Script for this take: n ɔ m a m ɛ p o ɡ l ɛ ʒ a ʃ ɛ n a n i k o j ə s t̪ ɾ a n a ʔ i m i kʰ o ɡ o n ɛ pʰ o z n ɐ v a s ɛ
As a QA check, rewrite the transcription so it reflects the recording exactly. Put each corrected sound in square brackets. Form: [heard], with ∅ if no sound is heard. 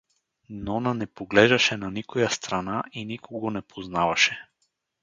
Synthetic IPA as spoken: n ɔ [n] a [n] ɛ p o ɡ l ɛ ʒ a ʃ ɛ n a n i k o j [a] s t̪ ɾ a n a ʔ i [n] i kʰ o ɡ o n ɛ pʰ o z n [a] v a [ʃ] ɛ